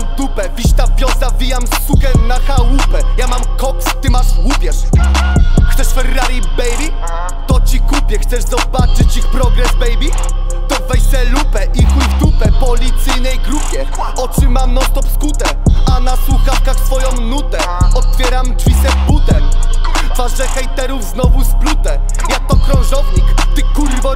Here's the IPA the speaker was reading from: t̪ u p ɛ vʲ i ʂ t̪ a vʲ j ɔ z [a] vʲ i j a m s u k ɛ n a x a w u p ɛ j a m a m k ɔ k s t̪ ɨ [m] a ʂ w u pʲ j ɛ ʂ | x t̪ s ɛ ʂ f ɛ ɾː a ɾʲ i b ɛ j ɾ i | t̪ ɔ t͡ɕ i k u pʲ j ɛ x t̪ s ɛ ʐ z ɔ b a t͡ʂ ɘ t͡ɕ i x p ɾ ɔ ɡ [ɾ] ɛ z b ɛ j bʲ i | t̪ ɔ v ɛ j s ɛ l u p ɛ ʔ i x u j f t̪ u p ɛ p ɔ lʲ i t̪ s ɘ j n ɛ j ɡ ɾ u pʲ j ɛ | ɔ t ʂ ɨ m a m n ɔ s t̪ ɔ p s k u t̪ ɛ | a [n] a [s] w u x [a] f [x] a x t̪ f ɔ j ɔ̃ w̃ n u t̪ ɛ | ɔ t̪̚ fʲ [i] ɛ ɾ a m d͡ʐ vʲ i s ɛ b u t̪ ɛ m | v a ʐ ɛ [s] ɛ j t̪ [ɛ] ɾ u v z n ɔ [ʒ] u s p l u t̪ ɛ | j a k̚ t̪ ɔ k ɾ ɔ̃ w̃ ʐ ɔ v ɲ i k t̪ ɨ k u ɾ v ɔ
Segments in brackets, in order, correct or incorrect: correct, correct, correct, correct, correct, correct, incorrect: k, incorrect: j, incorrect: x, correct, incorrect: v

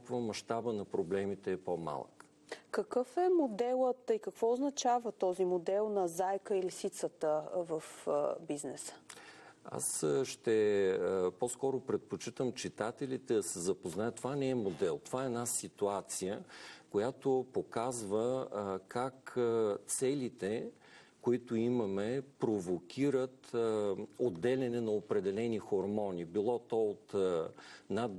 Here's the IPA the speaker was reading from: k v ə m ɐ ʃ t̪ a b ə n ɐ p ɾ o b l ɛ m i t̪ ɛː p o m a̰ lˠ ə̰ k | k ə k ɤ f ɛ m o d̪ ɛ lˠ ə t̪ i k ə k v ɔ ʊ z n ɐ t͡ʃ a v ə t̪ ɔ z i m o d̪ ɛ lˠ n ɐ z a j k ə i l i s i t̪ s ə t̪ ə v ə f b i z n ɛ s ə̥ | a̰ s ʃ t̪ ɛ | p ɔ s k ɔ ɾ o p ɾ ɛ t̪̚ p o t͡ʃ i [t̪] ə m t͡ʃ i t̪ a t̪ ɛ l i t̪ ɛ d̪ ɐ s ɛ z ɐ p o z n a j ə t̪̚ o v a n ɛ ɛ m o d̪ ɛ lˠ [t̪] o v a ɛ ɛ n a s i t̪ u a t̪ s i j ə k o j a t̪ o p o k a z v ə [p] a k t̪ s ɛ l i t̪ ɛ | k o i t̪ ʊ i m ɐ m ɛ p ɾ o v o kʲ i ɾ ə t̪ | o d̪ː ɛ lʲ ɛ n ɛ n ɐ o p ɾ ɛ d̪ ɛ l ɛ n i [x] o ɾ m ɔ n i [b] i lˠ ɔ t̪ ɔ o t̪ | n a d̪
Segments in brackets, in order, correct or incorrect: correct, correct, incorrect: k, correct, correct

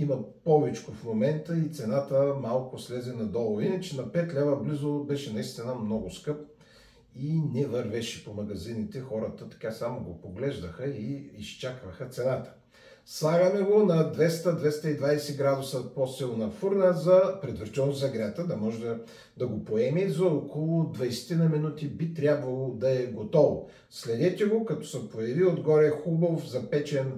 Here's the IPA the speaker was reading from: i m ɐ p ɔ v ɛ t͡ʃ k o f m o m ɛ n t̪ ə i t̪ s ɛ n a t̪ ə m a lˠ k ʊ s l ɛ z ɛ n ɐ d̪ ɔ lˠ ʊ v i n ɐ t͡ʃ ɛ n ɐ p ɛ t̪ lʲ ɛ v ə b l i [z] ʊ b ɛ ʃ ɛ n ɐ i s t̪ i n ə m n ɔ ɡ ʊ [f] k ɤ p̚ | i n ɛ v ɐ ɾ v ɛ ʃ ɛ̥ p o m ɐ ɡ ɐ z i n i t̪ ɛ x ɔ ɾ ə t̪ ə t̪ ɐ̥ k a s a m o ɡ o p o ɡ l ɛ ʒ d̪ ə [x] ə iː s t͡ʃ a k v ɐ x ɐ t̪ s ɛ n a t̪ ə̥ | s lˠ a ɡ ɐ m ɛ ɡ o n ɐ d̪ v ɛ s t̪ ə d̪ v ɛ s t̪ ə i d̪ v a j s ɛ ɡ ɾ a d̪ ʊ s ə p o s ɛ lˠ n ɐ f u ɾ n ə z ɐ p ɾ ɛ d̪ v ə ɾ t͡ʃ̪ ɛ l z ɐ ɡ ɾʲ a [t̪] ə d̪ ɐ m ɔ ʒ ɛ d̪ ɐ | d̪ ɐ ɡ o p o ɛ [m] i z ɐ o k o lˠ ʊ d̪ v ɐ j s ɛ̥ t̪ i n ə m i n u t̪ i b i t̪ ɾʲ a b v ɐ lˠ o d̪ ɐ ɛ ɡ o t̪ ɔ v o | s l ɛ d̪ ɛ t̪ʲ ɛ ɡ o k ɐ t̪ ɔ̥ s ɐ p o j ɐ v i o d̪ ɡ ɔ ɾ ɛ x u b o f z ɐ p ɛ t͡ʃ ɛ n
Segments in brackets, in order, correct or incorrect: correct, incorrect: s, correct, correct, correct

